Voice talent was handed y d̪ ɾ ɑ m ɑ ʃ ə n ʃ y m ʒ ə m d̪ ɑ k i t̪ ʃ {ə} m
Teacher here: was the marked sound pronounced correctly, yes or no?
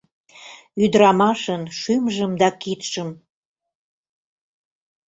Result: yes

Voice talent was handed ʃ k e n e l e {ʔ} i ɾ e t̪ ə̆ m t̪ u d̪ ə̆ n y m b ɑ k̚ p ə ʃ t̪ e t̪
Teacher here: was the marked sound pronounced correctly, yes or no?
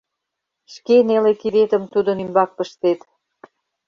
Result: no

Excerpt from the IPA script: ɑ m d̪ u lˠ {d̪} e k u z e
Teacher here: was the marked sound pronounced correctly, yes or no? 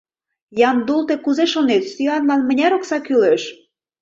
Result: no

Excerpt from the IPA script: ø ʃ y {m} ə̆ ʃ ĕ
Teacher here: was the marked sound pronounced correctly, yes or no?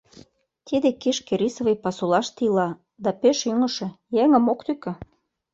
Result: no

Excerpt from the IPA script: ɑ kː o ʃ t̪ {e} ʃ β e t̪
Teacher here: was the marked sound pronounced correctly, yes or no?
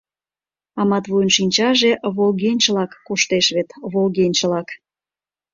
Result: yes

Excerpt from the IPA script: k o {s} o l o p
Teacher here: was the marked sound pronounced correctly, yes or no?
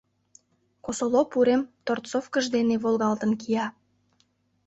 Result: yes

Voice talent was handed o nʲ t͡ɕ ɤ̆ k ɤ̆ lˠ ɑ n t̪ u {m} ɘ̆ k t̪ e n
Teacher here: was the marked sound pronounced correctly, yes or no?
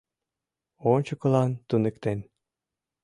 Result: no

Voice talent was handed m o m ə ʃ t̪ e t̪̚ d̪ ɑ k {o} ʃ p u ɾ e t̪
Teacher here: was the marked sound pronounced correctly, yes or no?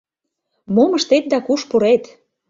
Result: no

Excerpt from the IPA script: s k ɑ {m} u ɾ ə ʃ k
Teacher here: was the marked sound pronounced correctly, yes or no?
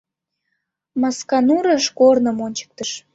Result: no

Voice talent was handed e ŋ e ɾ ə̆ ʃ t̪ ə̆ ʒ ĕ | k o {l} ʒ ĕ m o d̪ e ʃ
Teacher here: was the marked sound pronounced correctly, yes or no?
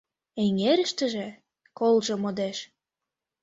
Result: yes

